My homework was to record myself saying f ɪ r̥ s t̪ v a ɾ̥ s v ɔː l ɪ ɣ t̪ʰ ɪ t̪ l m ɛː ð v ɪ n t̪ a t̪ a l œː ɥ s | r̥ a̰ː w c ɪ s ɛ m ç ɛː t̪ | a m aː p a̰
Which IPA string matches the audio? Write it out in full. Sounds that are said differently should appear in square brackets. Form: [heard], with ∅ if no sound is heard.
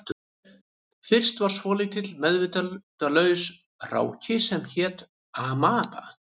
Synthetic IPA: f ɪ r̥ s t̪ v a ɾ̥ s v ɔː l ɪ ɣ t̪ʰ ɪ t̪ l m [ɛ] ð v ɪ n t̪ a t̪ a l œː ɥ s | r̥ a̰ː w c ɪ s ɛ m ç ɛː t̪ | a m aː p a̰